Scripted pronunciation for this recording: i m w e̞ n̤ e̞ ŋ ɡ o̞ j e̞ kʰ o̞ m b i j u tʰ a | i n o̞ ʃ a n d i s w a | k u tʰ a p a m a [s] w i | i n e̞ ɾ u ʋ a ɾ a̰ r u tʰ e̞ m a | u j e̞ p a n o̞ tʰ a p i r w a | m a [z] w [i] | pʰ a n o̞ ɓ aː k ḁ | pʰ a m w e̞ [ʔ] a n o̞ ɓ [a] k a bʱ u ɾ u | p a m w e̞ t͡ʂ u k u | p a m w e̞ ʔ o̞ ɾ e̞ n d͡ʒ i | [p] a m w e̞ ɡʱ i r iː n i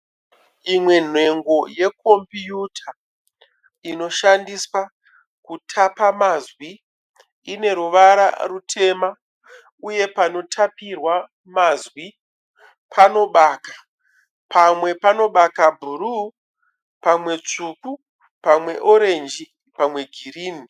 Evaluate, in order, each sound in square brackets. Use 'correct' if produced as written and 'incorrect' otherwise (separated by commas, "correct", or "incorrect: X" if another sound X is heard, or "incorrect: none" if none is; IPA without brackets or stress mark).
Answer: incorrect: z, correct, correct, incorrect: p, correct, correct